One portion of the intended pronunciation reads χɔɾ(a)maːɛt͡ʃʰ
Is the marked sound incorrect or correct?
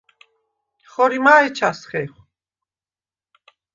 incorrect